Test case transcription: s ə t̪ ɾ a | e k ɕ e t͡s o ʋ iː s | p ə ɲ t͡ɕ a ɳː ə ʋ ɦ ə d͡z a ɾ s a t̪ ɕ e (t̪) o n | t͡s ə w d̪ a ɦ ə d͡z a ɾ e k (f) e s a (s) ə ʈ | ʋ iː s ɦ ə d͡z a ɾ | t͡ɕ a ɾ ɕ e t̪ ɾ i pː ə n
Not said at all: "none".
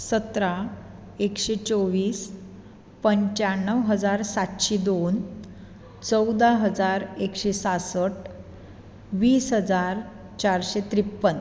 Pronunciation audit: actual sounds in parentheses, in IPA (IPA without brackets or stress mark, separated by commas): d̪, ɕ, s